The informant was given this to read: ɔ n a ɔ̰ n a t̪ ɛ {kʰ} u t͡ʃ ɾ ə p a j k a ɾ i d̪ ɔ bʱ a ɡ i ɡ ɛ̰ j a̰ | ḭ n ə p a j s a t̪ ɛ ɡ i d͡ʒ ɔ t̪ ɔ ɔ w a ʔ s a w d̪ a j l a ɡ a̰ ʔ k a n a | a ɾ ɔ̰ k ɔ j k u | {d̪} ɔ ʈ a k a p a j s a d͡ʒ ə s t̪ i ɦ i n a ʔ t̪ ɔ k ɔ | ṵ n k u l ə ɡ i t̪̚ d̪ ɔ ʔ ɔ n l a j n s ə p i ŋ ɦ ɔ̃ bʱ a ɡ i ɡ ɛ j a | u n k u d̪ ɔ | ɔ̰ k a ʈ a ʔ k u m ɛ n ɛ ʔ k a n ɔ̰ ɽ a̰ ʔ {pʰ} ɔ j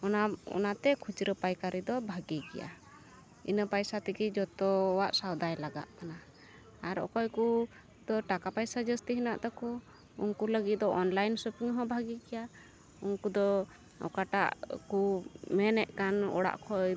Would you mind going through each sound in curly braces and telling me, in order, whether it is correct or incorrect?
correct, correct, incorrect: kʰ

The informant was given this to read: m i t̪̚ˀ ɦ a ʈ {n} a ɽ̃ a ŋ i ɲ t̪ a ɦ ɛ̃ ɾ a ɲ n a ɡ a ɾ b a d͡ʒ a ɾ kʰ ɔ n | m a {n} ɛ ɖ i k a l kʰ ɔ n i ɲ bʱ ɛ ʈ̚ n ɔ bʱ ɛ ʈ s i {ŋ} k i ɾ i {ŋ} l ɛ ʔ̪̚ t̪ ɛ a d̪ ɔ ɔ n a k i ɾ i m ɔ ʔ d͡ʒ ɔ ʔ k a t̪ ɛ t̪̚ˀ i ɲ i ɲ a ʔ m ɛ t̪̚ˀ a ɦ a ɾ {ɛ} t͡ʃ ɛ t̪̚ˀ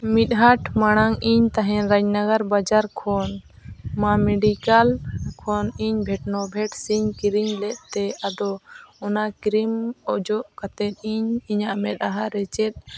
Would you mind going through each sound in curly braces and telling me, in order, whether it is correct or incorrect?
incorrect: m, incorrect: m, incorrect: ɲ, incorrect: ɲ, correct

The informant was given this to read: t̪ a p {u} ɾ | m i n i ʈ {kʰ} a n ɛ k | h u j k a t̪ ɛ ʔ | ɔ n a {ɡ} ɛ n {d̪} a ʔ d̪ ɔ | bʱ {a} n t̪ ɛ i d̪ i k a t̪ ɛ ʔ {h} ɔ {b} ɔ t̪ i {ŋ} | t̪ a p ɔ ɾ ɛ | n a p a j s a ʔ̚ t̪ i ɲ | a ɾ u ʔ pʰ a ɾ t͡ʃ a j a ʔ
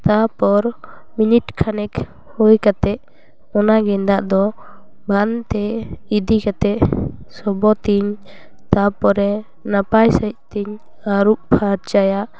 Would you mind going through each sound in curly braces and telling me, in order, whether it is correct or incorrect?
incorrect: ɔ, correct, correct, correct, correct, incorrect: s, correct, incorrect: ɲ

